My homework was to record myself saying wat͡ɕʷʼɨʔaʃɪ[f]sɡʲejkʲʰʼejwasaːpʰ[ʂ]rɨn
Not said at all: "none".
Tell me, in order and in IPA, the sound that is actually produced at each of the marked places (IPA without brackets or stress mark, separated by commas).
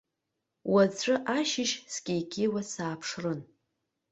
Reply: ʃ, ʂ